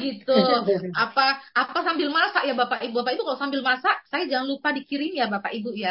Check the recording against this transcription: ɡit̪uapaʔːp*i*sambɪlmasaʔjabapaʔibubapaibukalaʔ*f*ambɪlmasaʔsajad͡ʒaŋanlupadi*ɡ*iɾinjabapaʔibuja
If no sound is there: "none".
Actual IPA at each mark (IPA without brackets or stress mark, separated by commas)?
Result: a, s, k